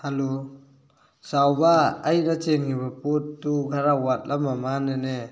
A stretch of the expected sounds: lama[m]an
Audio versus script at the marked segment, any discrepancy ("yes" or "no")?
no